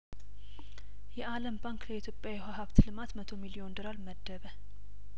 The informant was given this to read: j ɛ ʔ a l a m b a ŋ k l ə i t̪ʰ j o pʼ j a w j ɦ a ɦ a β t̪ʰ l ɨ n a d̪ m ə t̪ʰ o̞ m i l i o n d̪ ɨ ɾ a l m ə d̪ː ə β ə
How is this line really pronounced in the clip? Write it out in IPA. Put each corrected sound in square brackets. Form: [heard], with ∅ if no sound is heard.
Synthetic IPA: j ɛ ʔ a l [ə] m b a ŋ k l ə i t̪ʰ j o pʼ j a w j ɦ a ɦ a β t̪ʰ l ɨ [m] a [t̪] m ə t̪ʰ o̞ m i l i o n d̪ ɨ ɾ a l m ə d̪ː ə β ə